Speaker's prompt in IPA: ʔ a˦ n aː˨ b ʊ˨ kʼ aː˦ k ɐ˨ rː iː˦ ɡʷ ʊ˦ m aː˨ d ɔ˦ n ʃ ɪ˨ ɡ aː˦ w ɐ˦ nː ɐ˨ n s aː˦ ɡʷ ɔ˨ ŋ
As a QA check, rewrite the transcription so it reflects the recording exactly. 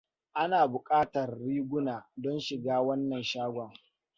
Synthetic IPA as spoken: ʔ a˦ n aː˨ b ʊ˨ kʼ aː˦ t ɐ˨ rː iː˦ ɡʷ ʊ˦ n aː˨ d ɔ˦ n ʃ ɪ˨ ɡ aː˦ w ɐ˦ nː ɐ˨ n ʃ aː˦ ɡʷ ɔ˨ ŋ